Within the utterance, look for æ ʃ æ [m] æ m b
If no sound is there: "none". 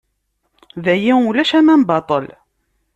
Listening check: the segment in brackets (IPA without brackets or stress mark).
m